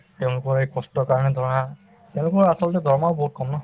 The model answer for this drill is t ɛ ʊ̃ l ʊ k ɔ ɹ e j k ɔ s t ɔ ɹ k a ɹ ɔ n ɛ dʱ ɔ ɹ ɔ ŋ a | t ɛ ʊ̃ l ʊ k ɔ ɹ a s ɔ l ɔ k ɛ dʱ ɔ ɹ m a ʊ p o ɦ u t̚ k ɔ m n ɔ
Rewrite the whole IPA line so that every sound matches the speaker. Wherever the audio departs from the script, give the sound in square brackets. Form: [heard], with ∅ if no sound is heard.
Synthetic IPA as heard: t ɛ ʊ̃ l ʊ k ɔ ɹ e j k ɔ s t ɔ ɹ k a ɹ ɔ n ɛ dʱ ɔ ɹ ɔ [n] a | t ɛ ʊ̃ l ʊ k ɔ ɹ a s ɔ l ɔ [t] ɛ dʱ ɔ ɹ m a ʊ [b] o ɦ u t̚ k ɔ m n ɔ